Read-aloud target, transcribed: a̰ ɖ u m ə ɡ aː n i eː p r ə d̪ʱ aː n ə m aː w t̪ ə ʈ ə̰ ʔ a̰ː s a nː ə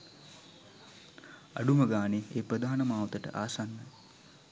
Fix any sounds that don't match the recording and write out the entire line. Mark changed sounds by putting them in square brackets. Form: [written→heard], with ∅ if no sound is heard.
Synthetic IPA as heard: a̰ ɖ u m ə ɡ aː n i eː p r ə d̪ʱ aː n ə m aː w t̪ ə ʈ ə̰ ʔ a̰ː s a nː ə